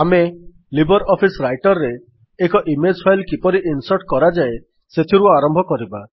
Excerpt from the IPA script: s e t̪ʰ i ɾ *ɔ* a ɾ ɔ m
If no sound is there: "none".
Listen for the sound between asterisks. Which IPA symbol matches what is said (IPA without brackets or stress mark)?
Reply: u